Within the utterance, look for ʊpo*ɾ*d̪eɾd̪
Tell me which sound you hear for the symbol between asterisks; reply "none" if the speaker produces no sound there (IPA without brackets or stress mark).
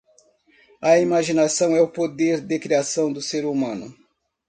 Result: none